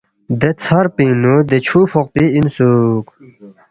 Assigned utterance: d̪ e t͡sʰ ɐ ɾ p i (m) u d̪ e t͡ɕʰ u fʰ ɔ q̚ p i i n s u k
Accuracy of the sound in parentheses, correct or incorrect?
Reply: incorrect